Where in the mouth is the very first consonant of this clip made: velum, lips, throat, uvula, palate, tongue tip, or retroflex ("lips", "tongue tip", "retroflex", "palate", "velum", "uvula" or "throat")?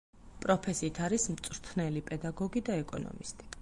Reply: lips